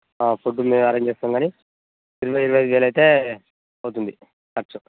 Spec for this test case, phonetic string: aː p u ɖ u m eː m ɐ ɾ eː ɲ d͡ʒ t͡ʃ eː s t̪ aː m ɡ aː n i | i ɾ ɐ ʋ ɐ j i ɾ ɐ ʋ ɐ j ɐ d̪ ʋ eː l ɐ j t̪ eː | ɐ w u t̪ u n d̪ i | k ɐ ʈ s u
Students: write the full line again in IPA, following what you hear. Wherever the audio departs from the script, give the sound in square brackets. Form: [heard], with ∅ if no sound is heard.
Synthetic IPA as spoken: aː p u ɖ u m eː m ɐ ɾ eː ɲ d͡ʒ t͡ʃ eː s t̪ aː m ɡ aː n i | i ɾ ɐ ʋ ɐ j i ɾ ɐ ʋ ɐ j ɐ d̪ ʋ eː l ɐ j t̪ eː | ɐ w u t̪ u n d̪ i | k ɐ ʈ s u